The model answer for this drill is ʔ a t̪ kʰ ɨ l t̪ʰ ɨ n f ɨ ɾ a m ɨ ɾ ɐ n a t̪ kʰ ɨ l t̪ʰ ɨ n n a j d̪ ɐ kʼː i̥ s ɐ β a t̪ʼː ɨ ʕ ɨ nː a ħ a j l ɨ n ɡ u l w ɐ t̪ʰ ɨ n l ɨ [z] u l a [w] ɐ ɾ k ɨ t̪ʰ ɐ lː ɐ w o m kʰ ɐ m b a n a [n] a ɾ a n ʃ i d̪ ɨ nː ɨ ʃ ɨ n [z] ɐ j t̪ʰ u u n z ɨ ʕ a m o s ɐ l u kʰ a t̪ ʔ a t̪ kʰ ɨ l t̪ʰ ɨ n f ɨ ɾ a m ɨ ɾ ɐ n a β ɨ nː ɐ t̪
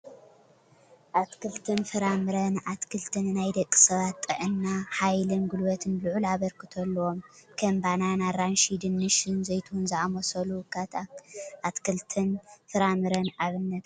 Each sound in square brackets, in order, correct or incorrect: incorrect: ʕ, incorrect: β, correct, correct

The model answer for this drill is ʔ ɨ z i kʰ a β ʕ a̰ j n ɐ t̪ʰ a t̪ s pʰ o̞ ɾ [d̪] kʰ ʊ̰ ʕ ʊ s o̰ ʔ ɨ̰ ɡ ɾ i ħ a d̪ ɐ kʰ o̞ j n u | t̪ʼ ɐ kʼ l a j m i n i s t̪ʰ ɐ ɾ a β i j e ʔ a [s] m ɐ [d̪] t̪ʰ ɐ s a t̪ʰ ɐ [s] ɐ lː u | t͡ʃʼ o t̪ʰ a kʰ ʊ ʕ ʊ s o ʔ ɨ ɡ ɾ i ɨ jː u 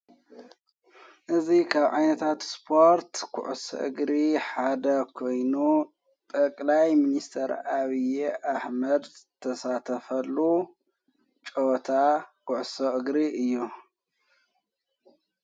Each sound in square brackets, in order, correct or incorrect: incorrect: t̪, incorrect: ħ, correct, incorrect: f

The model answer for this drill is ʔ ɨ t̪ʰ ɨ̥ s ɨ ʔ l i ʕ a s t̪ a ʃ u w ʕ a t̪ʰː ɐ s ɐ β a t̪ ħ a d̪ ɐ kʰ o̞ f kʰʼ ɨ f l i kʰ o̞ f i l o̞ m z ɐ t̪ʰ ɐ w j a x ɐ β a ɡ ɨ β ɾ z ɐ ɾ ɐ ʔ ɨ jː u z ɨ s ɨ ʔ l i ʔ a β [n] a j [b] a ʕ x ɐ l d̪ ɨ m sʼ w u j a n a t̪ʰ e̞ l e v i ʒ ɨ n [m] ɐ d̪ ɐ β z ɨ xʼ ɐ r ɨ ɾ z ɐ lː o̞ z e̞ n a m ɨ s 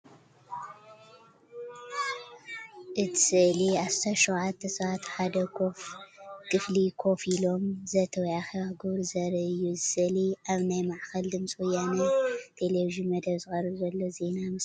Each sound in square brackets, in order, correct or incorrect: correct, incorrect: m, correct

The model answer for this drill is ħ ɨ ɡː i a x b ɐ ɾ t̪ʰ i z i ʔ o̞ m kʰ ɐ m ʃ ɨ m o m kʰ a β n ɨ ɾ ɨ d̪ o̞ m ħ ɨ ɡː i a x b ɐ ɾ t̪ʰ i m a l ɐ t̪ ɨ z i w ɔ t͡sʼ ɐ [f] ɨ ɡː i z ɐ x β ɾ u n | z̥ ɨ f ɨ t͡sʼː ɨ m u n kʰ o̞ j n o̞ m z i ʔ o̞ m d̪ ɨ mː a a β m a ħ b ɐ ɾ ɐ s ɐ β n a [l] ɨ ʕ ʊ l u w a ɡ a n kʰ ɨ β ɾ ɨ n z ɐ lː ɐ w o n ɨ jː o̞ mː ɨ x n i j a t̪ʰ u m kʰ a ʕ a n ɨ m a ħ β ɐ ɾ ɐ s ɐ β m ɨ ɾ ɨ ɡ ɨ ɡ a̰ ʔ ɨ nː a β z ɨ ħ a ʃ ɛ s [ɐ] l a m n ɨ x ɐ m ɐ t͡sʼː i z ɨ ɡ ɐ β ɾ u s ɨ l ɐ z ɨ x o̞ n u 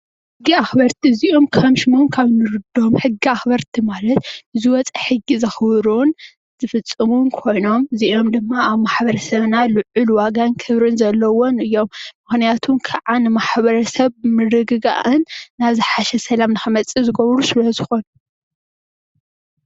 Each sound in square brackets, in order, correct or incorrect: incorrect: ħ, correct, correct

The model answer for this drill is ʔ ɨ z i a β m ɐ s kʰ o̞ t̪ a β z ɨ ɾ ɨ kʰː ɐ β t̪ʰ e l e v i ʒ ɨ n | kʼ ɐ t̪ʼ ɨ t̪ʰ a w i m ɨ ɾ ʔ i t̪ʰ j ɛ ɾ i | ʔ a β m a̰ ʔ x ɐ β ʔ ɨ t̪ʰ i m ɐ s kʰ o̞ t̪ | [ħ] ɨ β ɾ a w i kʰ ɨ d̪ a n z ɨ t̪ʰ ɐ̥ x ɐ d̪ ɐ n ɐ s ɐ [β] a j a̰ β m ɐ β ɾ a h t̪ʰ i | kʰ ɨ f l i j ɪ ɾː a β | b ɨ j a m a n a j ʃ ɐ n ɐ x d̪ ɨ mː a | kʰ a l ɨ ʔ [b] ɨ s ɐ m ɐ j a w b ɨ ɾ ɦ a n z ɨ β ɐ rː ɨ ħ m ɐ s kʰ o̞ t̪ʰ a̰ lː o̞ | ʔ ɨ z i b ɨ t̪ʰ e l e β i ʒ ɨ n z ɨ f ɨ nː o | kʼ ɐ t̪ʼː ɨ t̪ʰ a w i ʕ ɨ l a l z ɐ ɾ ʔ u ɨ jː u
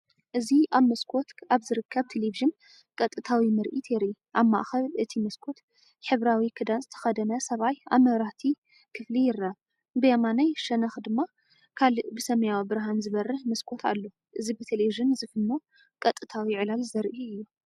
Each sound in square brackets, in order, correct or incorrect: correct, correct, correct

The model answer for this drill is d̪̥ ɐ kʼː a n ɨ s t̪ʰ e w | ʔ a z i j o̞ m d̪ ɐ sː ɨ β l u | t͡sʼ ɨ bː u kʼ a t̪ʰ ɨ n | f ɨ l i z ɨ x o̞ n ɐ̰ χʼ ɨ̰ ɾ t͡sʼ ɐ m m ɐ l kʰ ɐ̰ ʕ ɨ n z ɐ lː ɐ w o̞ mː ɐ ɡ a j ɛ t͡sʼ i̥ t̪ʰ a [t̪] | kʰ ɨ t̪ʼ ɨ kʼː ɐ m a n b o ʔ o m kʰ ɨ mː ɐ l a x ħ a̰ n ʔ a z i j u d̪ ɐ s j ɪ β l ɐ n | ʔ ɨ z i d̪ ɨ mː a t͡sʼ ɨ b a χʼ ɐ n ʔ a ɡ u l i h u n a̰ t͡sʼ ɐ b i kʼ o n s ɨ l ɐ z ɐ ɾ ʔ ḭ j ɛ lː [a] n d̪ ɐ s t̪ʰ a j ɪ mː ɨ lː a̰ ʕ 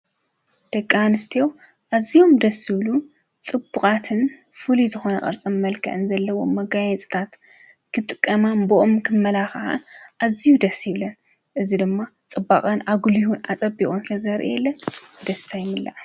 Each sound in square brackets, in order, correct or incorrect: correct, incorrect: ɐ

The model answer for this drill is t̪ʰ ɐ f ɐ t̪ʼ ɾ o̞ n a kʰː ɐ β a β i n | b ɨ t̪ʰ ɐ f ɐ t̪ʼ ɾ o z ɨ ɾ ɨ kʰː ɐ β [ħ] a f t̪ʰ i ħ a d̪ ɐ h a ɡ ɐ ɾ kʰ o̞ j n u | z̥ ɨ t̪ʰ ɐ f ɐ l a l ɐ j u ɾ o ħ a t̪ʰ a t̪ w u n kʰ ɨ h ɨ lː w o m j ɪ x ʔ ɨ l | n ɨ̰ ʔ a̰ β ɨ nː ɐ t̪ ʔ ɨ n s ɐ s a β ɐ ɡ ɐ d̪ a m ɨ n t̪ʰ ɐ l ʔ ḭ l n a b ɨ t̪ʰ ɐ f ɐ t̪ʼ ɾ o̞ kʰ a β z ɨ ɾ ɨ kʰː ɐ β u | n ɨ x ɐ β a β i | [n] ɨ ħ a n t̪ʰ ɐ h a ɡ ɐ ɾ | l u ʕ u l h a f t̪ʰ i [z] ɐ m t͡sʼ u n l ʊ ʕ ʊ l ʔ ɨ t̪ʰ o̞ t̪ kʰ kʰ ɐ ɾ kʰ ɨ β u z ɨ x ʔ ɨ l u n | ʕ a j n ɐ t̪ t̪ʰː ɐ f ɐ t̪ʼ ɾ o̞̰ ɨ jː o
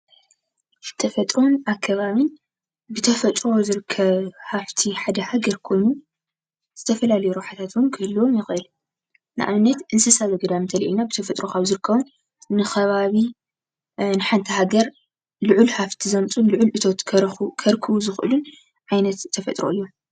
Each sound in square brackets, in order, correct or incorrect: incorrect: h, correct, correct

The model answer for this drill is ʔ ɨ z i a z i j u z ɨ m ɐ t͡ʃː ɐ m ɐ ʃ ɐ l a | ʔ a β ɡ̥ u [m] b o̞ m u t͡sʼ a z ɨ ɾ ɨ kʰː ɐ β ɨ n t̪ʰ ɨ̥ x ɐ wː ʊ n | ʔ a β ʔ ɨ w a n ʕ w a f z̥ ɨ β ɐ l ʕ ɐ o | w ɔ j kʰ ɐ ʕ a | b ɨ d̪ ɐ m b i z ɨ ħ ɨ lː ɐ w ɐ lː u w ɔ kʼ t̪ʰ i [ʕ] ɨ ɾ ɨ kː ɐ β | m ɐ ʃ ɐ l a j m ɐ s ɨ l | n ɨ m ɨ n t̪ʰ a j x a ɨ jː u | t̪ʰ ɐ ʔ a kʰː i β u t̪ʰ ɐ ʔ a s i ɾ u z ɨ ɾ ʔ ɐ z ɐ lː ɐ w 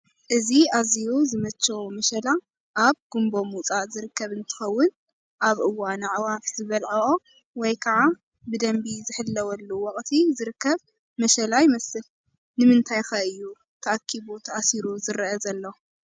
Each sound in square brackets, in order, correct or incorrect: correct, incorrect: z

